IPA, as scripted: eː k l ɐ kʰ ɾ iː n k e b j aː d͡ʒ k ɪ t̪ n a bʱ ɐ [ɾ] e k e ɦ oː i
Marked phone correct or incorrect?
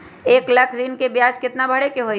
incorrect